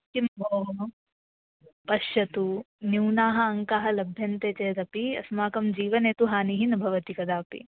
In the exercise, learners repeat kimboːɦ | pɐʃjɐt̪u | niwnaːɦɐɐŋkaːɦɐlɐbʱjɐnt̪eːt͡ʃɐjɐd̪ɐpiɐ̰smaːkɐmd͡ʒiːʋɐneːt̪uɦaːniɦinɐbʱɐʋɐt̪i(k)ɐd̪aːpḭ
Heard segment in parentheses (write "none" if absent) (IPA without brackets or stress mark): k